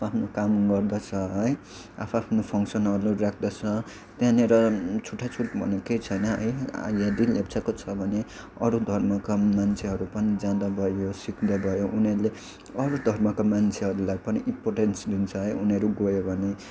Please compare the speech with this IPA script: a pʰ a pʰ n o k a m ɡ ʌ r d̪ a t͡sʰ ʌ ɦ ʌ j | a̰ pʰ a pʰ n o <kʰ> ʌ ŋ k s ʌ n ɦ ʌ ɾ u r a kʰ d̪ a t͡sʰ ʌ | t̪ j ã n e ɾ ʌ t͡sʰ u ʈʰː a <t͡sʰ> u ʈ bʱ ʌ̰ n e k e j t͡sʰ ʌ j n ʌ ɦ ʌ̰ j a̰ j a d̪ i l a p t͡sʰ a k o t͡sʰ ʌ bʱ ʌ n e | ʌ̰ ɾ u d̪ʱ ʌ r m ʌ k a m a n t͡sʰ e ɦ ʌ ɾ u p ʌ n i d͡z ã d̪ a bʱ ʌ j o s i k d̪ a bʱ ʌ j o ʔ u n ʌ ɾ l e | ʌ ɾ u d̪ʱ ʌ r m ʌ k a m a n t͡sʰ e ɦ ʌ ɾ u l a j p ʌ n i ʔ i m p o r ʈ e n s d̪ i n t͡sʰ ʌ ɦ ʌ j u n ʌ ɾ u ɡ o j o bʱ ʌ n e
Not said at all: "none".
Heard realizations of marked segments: pʰ, t͡sʰ

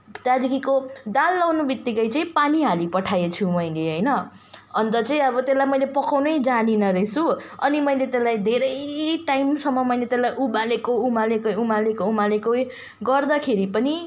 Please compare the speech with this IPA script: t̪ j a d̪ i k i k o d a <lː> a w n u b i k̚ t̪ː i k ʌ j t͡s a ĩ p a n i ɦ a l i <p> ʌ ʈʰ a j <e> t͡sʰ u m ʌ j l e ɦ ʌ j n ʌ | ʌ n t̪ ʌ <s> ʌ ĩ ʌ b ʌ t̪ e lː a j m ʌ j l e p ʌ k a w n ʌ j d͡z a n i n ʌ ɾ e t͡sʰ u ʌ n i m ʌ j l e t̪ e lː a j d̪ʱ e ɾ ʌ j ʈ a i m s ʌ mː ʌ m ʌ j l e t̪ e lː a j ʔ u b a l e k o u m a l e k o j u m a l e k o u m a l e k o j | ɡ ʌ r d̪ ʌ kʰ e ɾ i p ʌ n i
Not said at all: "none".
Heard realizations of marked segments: lː, p, e, t͡s

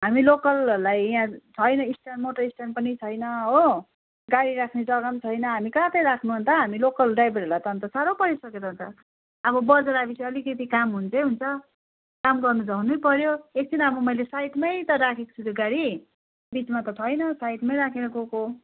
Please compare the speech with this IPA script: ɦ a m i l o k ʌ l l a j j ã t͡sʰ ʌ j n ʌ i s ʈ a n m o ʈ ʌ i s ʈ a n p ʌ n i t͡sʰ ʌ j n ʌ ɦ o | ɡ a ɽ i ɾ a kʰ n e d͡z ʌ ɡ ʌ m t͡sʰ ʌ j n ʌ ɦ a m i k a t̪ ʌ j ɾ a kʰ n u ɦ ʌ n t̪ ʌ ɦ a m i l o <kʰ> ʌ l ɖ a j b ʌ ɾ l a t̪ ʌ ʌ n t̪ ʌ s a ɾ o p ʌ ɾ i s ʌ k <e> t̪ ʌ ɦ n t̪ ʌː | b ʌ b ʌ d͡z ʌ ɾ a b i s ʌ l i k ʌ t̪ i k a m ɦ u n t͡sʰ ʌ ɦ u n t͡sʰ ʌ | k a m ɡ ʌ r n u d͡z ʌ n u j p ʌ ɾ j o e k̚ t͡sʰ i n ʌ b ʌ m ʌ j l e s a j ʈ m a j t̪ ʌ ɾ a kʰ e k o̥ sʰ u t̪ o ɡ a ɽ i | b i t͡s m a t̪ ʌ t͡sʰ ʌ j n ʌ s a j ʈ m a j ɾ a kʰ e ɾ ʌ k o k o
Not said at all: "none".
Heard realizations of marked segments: k, e

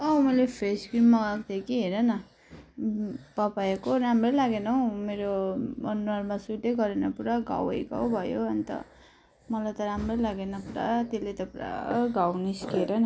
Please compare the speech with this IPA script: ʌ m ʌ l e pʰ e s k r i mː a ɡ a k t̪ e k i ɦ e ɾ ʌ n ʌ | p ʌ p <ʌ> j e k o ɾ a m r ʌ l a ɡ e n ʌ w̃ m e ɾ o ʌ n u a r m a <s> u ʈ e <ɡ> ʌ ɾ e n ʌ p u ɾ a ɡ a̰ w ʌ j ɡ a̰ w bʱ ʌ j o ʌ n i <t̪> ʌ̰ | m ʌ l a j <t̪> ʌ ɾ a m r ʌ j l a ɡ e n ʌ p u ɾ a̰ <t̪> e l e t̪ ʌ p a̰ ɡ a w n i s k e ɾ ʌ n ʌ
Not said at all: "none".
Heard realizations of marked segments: a, s, ɡ, t̪, t̪, t̪

